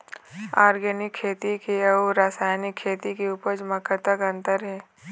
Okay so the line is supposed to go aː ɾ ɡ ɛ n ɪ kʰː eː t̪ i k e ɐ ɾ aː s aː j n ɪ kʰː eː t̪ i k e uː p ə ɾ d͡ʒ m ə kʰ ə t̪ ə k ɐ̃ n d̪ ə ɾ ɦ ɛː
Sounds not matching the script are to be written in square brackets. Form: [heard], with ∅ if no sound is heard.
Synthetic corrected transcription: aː ɾ ɡ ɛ n ɪ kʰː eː t̪ i k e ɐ ɾ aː s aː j n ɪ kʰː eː t̪ i k e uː p ə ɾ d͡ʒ m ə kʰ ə t̪ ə k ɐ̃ n [t̪] ə ɾ ɦ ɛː